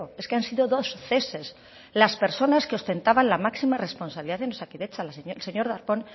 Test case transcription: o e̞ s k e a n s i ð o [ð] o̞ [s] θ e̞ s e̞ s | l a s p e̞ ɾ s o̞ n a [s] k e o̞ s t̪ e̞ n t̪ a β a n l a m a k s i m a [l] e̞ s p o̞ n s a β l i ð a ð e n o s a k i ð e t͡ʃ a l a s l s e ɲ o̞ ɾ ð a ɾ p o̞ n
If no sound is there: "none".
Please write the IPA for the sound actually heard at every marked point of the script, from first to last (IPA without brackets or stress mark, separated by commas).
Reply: ð, s, s, r